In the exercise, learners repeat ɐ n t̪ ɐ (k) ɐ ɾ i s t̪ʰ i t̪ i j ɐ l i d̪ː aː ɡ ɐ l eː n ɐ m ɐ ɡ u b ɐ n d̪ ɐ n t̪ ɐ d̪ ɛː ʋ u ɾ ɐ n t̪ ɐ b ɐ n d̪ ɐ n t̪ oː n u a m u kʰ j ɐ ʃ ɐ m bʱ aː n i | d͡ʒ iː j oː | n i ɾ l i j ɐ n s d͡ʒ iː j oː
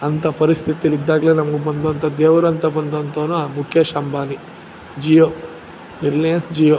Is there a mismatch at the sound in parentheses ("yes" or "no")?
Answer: yes